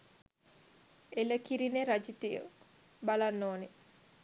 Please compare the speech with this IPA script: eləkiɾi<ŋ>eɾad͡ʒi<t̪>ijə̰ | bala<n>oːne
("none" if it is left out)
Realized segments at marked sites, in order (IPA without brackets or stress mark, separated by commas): n, t̪, nː